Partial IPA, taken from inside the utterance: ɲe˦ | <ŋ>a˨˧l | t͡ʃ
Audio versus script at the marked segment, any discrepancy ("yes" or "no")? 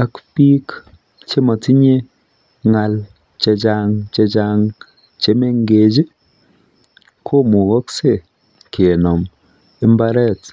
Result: no